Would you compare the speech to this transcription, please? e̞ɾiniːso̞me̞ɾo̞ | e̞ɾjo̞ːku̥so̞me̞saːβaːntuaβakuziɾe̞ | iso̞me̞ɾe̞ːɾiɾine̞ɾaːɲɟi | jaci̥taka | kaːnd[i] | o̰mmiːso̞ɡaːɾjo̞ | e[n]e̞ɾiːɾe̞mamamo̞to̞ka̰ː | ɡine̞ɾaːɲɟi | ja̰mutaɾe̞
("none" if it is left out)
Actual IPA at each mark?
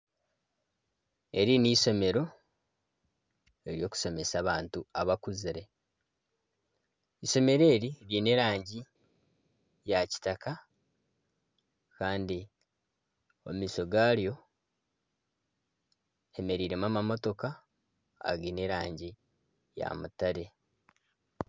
i, m

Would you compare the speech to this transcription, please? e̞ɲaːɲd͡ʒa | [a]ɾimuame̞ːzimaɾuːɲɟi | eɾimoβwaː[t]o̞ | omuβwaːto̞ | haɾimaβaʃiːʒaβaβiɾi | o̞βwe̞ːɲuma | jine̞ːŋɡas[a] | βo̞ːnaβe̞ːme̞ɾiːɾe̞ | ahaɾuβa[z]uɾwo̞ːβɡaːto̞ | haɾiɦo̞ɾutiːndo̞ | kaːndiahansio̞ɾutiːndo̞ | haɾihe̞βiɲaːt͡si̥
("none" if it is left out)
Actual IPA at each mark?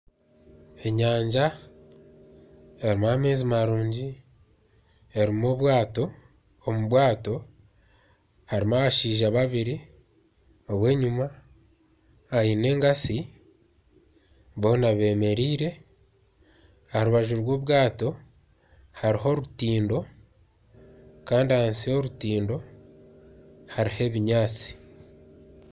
e, t, i, ʒ

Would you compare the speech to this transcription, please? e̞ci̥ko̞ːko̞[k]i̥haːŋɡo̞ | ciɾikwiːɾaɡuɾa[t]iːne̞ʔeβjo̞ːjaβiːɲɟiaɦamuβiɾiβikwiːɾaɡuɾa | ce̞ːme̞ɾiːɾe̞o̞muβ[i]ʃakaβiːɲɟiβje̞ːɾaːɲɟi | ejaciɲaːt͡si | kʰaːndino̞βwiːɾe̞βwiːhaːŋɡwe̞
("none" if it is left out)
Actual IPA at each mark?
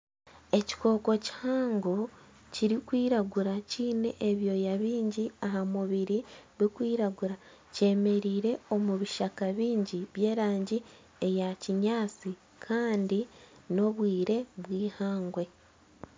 c, c, i

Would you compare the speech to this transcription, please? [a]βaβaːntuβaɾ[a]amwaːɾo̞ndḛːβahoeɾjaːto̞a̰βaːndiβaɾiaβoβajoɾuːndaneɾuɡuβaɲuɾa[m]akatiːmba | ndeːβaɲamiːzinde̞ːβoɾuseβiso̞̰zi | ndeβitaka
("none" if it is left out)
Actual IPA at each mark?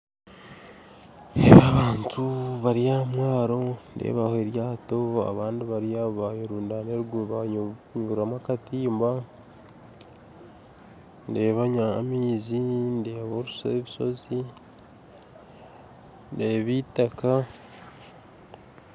e, i, m

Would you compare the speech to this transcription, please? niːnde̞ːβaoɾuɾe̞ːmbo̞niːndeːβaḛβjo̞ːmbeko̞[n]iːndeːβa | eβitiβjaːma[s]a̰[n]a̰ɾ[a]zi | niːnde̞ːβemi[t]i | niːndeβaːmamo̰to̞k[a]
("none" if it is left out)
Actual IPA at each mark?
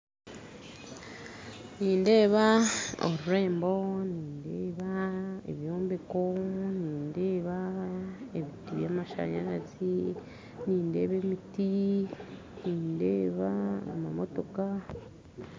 n, ʃ, ɲ, a, t, a

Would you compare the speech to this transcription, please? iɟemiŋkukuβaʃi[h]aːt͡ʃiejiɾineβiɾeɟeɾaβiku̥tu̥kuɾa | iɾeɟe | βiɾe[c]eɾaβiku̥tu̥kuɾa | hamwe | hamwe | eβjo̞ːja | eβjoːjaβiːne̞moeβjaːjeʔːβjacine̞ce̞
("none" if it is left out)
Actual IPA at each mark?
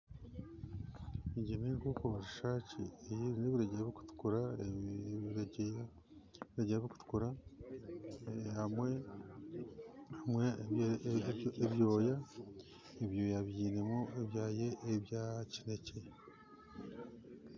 ʃ, ɟ

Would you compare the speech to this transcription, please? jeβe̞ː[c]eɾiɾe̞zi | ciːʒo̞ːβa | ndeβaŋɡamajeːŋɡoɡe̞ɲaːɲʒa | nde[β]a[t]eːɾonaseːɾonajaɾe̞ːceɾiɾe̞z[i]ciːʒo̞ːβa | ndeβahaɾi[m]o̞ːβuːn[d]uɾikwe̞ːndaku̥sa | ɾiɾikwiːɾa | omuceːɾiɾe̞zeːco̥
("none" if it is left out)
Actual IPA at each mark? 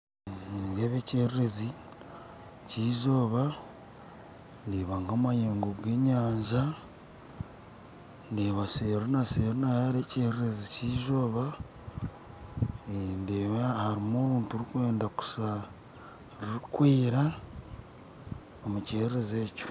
c, β, s, i, m, t

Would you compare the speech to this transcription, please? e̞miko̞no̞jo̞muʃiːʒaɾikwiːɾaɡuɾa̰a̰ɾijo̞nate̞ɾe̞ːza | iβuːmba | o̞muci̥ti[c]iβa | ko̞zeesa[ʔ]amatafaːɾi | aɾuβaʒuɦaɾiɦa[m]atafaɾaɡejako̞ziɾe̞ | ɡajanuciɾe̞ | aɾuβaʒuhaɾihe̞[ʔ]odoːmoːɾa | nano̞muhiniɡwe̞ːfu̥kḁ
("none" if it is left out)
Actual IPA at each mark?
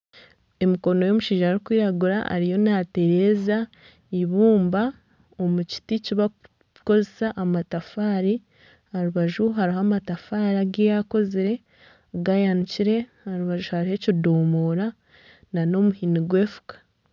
c, ʔ, m, c

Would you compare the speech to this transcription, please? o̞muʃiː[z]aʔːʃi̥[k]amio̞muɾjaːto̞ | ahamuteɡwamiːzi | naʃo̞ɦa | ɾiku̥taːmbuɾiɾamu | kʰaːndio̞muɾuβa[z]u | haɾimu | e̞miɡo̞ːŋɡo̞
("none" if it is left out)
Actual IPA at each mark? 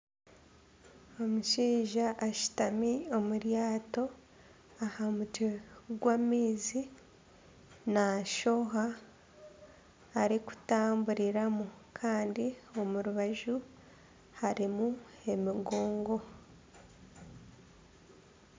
ʒ, t, ʒ

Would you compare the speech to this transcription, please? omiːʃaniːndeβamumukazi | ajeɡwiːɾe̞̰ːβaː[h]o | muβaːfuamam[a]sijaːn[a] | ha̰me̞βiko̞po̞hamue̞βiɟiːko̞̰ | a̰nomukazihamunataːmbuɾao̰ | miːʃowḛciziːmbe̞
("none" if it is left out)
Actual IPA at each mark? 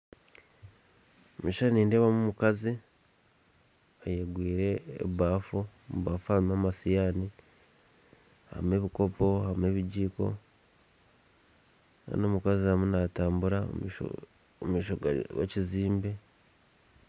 f, a, i

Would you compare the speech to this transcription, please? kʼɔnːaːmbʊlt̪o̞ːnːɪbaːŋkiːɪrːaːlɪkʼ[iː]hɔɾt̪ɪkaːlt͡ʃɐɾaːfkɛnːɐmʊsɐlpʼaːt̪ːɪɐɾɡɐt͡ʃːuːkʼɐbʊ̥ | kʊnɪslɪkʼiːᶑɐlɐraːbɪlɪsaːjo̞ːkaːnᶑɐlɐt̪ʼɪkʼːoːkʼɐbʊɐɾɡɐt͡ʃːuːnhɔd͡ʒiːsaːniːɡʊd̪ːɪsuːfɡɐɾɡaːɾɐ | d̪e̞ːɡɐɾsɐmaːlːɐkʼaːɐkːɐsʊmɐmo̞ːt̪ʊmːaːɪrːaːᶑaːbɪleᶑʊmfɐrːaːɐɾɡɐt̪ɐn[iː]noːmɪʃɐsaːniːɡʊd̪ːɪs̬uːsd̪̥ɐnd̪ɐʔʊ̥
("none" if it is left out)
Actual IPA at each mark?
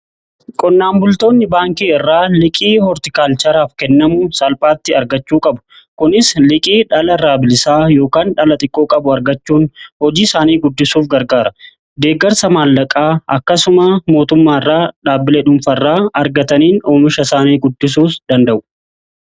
iː, iː

